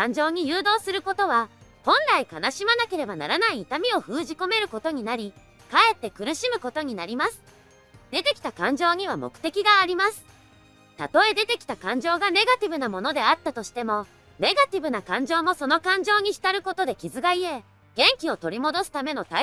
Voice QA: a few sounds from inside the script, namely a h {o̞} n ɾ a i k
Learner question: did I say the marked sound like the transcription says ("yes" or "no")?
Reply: no